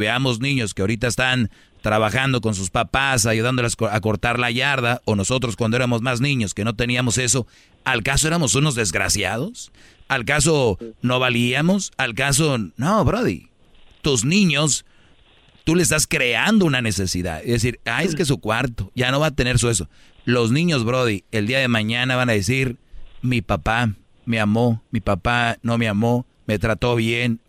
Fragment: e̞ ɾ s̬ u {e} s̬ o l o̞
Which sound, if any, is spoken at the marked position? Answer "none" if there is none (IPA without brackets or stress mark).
e